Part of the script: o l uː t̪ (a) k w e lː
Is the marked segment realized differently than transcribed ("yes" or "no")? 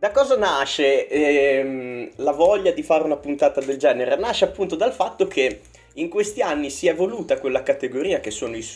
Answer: no